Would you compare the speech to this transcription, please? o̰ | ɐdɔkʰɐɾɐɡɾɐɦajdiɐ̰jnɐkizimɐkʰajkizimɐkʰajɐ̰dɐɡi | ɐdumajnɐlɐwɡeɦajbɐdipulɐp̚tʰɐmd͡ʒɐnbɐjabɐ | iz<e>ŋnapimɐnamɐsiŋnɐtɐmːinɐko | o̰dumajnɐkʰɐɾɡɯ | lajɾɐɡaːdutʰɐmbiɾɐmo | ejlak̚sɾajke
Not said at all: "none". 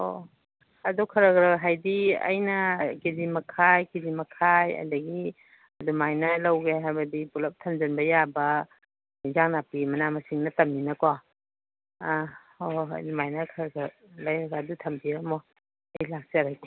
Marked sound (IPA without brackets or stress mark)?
a